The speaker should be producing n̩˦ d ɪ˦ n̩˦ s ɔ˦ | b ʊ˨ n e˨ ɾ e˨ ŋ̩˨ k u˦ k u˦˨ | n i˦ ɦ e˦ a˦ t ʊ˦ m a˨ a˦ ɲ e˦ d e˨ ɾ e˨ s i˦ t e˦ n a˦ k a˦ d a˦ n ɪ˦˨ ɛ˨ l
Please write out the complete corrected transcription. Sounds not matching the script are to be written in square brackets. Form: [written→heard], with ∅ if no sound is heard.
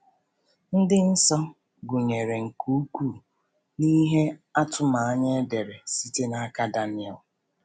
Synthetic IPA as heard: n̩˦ d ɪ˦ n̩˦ s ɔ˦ | [b→ɡ] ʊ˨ [n→ɲ] e˨ ɾ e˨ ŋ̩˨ k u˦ k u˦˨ | n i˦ ɦ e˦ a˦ t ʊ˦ m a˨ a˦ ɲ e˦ d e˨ ɾ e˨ s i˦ t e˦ n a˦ k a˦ d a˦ n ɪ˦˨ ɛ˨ l